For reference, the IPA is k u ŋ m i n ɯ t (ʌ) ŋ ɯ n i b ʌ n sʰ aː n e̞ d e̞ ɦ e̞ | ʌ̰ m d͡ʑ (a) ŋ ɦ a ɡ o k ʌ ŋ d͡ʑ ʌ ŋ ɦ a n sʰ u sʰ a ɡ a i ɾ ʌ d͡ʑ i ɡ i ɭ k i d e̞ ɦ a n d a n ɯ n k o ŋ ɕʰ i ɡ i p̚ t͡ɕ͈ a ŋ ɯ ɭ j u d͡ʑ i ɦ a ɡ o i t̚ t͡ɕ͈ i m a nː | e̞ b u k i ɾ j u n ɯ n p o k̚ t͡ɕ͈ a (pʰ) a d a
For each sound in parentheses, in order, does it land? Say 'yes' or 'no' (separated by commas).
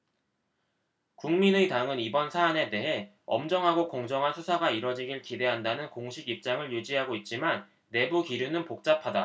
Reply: no, no, yes